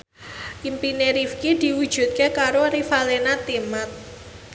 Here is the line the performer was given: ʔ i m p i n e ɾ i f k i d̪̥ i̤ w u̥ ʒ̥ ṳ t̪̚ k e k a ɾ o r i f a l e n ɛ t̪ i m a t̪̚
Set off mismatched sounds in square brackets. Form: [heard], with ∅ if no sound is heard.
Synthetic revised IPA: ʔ i m p i n e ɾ i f k i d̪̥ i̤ w u̥ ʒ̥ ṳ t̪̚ k e k a ɾ o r i f a l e n [a] t̪ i m a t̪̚

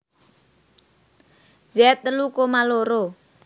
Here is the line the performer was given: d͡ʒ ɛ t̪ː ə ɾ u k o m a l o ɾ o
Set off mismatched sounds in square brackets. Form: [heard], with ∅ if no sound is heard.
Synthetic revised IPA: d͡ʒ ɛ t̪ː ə [l] u k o m a l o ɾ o

